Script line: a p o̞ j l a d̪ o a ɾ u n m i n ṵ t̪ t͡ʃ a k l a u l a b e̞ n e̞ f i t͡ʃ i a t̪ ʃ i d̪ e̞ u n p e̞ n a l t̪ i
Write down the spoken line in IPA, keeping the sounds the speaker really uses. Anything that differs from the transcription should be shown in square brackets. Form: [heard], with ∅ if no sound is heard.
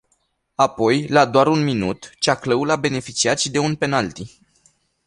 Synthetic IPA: a p o̞ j l a d̪ o a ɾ u n m i n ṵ t̪ t͡ʃ a k l [ə] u l a b e̞ n e̞ f i t͡ʃ i a t̪ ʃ i d̪ e̞ u n p e̞ n a l t̪ i